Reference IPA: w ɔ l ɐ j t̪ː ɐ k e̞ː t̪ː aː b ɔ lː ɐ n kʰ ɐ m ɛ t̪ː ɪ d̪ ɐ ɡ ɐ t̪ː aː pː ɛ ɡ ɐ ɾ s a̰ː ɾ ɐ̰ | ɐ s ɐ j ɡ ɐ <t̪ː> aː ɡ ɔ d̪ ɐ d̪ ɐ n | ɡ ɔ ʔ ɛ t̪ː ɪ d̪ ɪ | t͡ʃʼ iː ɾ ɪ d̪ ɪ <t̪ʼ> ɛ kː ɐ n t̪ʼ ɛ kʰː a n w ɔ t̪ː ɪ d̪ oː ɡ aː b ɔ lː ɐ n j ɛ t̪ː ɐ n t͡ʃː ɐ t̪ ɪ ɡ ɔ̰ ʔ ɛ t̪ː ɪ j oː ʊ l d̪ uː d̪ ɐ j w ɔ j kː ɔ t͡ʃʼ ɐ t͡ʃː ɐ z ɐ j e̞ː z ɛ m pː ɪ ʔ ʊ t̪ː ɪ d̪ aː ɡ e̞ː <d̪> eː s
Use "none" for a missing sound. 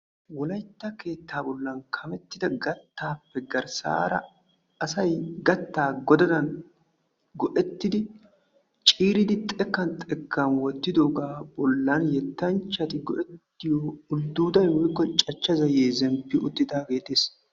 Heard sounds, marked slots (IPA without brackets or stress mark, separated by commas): t̪ː, t̪ʼ, t̪